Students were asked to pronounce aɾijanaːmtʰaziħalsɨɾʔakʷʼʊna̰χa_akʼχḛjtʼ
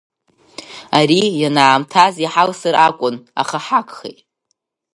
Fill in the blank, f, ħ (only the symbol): ħ